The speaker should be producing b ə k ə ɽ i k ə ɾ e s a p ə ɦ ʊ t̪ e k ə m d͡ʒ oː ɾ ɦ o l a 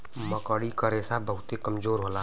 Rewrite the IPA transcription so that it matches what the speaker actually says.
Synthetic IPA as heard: m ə k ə ɽ i k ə ɾ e s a b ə ɦ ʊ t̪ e k ə m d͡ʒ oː ɾ ɦ o l a